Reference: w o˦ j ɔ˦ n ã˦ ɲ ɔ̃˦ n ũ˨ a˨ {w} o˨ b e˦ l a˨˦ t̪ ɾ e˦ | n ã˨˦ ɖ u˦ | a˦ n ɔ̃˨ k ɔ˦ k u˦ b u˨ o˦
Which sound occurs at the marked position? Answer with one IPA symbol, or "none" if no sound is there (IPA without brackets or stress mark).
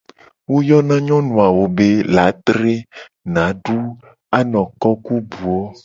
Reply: w